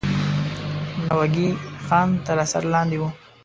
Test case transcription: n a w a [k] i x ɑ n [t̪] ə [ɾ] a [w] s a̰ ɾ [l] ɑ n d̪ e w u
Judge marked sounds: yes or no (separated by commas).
no, yes, yes, no, yes